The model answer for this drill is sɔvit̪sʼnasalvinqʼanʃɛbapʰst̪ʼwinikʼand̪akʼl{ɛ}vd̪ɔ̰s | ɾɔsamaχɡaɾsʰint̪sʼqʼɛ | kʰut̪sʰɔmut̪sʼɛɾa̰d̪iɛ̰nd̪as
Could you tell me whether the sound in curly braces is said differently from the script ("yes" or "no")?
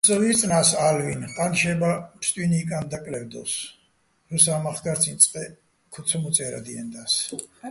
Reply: no